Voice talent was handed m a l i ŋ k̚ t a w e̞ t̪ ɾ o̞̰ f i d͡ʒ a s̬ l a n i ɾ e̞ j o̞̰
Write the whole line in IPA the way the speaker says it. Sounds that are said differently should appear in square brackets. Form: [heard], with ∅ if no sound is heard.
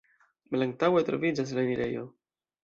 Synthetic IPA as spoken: m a l [a] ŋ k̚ t a w e̞ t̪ ɾ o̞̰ [v] i d͡ʒ a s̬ l a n i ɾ e̞ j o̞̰